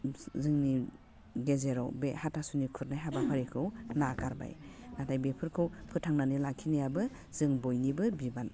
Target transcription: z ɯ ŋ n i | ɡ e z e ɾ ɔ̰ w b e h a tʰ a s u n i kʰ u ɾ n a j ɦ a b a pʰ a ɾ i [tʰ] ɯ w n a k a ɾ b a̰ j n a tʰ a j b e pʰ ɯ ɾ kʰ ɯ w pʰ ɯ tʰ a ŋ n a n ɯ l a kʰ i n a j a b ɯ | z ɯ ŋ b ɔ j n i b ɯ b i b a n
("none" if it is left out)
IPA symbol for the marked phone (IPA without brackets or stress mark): kʰ